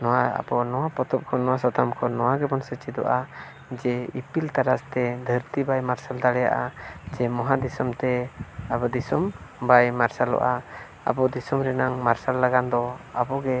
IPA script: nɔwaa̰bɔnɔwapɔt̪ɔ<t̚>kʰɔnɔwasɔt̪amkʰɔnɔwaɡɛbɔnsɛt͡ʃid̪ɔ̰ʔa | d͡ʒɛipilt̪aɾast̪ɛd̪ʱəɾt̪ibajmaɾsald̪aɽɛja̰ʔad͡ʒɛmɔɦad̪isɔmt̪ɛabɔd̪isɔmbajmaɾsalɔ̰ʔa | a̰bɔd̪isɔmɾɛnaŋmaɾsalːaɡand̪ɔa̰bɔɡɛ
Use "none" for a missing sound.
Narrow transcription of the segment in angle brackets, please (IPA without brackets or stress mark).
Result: p̚